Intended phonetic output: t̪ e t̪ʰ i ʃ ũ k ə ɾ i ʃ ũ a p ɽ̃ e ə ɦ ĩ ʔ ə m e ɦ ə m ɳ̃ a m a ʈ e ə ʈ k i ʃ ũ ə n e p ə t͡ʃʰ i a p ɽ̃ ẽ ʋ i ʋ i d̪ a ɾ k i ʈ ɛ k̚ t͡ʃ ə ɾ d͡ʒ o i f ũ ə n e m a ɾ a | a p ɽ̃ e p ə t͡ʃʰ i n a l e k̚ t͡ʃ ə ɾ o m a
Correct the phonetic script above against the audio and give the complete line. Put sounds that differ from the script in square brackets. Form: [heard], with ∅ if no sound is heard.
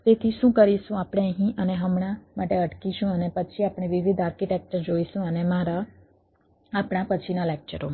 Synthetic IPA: t̪ e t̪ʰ i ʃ ũ k ə ɾ i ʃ ũ a p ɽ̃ e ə ɦ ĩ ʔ ə [n] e ɦ ə m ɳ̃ a m a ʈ e ə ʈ k i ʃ ũ ə n e p ə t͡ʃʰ i a p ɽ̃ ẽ ʋ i ʋ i d̪ a ɾ k i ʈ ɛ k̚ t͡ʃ ə ɾ d͡ʒ o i [ʃ] ũ ə n e m a ɾ a | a p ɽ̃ [a] p ə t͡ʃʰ i n a l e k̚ t͡ʃ ə ɾ o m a